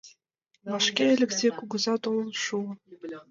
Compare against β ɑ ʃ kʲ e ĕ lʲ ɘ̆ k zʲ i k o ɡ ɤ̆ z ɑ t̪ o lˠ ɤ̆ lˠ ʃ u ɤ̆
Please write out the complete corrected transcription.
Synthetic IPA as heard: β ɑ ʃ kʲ e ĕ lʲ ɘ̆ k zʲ e k u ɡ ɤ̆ z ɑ t̪ o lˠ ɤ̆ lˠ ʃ u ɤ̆